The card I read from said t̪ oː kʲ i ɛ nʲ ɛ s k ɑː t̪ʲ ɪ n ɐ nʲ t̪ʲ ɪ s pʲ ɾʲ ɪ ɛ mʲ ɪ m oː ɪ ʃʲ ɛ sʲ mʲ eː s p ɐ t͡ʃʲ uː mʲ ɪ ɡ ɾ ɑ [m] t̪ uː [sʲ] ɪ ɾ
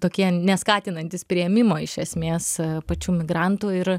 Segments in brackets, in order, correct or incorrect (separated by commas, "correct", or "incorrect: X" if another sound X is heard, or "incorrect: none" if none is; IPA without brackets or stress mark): incorrect: n, incorrect: none